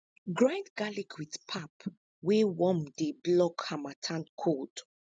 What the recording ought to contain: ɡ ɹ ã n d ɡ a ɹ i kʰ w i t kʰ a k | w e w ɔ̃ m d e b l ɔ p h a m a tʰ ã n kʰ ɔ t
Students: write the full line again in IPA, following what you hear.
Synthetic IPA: ɡ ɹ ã n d ɡ a l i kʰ w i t pʰ a p | w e w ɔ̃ m d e b l ɔ k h a m a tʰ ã n kʰ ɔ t